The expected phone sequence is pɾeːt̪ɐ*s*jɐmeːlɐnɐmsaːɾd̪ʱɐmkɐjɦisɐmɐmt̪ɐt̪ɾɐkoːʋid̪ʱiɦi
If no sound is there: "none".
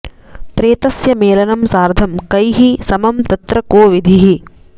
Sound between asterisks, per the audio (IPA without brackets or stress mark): s